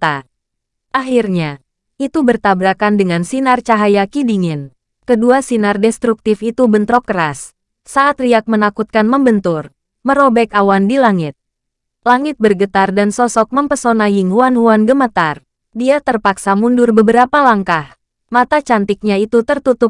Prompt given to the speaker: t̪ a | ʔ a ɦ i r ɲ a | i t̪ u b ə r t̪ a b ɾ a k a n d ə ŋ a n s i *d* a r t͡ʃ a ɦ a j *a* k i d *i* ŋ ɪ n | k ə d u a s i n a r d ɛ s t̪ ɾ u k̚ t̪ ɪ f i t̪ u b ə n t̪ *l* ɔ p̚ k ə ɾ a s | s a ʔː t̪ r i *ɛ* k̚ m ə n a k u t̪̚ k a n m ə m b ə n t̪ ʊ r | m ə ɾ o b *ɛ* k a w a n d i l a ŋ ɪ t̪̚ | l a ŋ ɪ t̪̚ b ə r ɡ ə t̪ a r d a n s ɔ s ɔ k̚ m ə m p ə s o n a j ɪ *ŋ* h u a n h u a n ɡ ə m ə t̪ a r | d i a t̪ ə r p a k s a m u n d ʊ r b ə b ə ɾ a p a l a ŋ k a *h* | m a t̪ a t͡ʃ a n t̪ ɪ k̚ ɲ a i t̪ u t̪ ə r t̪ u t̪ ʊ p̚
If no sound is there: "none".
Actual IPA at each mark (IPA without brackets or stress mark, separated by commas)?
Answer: n, a, i, ɾ, a, ɛ, ŋ, h